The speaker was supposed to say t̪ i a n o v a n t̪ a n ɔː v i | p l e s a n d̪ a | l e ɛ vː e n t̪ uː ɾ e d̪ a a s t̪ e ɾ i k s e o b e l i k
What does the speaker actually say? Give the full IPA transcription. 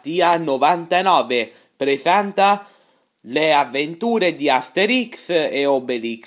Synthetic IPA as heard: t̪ i a n o v a n t̪ a n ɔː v e | p ɾ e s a n t̪ a | l e a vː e n t̪ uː ɾ e d̪ i a s t̪ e ɾ i k s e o b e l i k